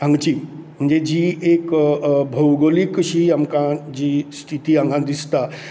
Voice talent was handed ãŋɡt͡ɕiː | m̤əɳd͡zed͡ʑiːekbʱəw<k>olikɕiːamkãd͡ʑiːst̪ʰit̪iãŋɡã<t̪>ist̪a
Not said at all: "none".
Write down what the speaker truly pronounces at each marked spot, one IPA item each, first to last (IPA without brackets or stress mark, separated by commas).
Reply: ɡ, d̪